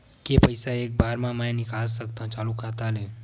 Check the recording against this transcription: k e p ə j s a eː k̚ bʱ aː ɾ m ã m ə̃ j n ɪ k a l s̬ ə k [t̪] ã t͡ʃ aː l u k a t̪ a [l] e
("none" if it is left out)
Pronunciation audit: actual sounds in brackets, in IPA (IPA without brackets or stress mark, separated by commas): t̪, l